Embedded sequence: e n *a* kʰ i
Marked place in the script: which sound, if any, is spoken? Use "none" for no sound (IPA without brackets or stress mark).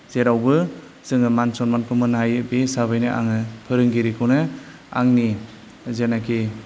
a